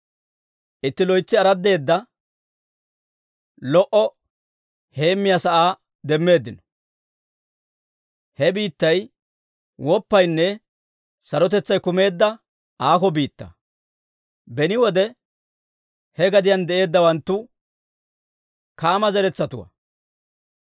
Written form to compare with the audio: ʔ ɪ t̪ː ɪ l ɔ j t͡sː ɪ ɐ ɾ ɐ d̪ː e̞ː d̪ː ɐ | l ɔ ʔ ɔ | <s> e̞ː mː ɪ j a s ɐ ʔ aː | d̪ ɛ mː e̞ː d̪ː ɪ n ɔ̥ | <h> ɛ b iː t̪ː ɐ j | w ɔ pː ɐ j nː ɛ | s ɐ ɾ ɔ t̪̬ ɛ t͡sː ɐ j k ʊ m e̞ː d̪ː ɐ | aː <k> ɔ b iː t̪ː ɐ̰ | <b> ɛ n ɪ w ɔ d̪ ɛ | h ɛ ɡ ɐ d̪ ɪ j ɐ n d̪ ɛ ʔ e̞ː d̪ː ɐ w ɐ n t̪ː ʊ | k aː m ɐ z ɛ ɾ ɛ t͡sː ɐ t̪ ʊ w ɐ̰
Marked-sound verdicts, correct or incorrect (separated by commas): incorrect, correct, correct, correct